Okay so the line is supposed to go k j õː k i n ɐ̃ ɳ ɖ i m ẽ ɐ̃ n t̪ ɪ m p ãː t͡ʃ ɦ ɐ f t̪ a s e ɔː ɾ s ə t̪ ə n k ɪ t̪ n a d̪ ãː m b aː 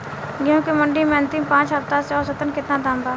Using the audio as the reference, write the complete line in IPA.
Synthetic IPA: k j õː k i m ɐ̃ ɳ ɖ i m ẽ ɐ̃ n t̪ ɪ m p ãː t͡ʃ ɦ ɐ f t̪ a s e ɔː ɾ s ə t̪ ə n k ɪ t̪ n a d̪ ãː m b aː